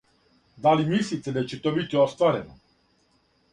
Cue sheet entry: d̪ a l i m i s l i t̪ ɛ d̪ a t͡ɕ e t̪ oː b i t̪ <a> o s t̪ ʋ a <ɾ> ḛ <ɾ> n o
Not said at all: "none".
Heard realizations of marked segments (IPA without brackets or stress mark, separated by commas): i, ɾ, none